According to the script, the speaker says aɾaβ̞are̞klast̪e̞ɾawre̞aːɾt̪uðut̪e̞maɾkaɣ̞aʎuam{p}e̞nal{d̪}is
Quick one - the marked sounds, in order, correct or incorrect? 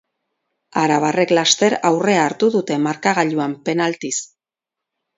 correct, incorrect: t̪

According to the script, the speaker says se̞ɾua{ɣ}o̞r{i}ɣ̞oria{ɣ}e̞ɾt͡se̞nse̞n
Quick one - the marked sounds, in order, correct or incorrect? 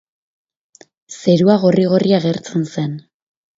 correct, correct, correct

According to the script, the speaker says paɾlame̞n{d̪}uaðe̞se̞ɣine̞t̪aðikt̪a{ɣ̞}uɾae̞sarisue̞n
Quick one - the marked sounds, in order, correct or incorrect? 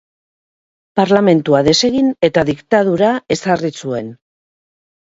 incorrect: t̪, incorrect: ð̞

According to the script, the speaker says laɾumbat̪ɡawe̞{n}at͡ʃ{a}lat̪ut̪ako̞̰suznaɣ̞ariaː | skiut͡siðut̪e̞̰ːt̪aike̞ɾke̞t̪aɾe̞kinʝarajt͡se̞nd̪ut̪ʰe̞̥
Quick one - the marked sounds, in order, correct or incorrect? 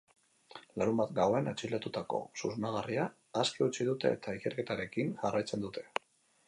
correct, incorrect: i

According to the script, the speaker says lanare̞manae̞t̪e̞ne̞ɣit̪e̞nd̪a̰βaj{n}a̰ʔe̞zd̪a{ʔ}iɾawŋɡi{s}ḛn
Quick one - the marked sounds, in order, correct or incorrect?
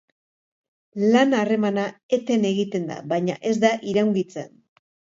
incorrect: ɲ, correct, incorrect: t͡s

